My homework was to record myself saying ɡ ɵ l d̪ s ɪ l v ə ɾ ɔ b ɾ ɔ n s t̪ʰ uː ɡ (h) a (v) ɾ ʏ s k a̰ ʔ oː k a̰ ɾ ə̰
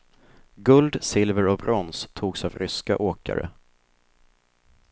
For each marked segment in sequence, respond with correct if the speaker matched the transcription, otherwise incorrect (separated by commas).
incorrect, correct